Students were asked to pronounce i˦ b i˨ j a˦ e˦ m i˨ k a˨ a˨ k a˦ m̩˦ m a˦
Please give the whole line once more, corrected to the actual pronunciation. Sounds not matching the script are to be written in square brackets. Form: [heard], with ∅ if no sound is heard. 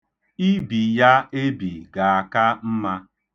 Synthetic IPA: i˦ b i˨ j a˦ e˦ [b] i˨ [ɡ] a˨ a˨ k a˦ m̩˦ m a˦